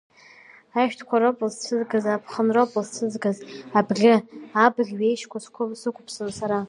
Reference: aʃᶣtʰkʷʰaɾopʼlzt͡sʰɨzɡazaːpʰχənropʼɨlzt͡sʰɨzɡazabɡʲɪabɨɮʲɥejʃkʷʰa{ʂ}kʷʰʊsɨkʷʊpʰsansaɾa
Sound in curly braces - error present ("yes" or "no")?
yes